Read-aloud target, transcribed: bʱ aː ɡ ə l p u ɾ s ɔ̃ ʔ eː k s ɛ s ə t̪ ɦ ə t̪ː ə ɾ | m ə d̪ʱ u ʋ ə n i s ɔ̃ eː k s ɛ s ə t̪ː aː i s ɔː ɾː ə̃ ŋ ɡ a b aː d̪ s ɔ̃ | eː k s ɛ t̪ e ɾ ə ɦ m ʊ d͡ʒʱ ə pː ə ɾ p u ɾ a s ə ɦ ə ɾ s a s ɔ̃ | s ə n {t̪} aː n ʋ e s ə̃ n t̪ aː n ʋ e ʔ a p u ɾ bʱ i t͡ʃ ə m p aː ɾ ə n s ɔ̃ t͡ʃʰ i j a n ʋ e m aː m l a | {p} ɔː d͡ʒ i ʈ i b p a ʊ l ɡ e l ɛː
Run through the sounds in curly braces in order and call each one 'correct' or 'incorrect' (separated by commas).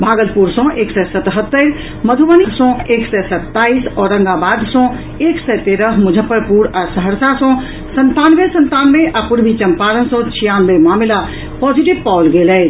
correct, correct